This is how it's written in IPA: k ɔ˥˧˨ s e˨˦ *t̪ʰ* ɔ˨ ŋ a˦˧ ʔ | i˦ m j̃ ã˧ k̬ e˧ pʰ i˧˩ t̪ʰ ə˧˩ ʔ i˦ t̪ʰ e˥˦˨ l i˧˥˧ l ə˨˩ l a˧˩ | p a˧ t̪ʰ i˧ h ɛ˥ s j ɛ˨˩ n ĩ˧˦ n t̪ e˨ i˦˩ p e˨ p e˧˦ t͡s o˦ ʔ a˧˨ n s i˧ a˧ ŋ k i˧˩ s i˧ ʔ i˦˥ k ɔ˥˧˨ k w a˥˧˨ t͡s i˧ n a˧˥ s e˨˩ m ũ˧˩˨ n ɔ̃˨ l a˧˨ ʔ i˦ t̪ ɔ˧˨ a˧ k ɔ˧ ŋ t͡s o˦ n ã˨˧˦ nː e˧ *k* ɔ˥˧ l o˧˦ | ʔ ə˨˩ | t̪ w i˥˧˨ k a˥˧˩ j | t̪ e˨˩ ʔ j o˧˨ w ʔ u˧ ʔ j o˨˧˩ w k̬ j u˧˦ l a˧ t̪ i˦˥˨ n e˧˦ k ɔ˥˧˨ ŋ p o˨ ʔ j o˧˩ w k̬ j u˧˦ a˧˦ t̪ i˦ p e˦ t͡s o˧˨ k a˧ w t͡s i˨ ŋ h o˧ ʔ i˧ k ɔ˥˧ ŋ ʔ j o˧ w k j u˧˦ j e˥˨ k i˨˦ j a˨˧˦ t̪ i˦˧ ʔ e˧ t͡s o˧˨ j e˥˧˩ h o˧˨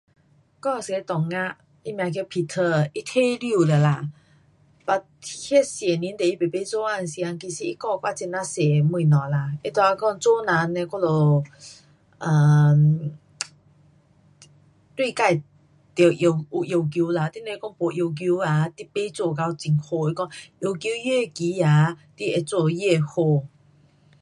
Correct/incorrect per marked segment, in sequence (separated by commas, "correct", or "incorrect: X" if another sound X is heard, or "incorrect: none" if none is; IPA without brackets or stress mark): incorrect: t̪, correct